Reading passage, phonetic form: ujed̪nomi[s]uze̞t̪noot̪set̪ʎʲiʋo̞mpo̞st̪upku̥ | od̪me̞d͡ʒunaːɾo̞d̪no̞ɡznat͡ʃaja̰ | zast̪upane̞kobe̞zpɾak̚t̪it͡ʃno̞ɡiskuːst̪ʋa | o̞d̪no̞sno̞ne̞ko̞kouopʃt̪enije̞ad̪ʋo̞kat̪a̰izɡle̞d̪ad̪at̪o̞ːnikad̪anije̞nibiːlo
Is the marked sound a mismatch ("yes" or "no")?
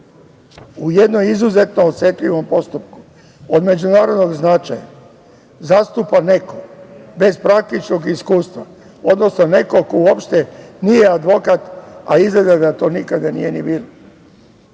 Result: yes